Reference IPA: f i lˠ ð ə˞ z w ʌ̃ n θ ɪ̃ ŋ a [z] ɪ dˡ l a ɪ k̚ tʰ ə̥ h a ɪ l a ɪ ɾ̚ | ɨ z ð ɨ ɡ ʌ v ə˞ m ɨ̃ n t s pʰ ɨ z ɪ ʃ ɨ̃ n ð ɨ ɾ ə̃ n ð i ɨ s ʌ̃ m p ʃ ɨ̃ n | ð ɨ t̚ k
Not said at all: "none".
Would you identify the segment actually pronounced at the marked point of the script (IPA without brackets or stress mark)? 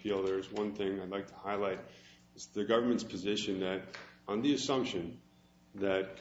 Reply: none